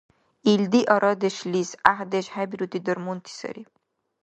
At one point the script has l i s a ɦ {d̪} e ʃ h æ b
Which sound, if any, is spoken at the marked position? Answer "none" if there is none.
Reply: d̪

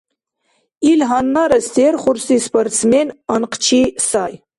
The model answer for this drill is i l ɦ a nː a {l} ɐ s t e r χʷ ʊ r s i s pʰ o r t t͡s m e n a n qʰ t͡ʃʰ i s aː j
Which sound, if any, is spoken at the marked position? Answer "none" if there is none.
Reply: ɾ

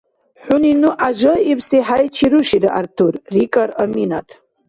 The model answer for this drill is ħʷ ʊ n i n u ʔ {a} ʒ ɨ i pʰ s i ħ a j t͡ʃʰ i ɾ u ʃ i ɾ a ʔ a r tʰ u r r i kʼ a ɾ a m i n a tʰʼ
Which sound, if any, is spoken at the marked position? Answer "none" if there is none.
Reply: a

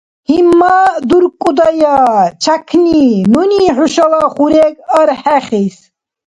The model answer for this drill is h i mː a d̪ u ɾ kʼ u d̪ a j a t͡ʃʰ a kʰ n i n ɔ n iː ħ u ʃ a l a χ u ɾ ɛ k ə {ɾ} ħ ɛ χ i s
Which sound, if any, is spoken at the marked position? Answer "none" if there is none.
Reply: ɾ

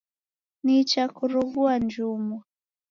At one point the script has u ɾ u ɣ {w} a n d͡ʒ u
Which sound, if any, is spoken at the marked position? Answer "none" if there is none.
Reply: u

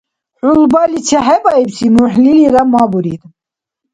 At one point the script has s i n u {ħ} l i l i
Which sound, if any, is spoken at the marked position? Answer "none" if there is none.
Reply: ħ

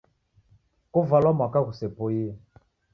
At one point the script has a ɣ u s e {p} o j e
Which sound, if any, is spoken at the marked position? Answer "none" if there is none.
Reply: p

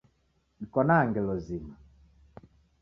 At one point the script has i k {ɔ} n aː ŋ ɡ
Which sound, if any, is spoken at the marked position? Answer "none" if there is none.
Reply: ɔ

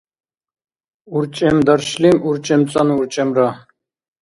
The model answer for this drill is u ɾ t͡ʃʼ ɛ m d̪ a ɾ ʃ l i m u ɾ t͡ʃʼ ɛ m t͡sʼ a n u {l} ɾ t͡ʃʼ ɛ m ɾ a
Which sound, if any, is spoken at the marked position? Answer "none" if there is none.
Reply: none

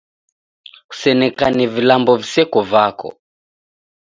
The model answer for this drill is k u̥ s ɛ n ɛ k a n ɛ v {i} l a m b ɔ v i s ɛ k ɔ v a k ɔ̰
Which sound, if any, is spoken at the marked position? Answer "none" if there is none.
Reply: i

